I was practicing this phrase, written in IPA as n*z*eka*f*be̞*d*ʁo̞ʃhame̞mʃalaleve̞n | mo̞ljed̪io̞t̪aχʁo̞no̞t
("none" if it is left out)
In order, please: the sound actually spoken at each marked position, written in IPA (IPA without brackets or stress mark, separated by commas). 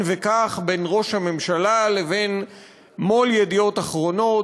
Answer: v, χ, n